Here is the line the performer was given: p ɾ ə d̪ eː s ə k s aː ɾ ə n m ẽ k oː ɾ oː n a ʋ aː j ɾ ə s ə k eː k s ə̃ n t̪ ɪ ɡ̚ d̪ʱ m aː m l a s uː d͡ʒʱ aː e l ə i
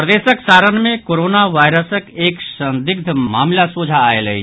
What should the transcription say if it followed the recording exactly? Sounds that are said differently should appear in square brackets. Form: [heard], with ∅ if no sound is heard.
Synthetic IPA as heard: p ɾ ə d̪ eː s ə k s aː ɾ ə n m ẽ k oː ɾ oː n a ʋ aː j ɾ ə s ə k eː k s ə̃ n [d̪] ɪ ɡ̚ d̪ʱ m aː m l a s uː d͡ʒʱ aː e l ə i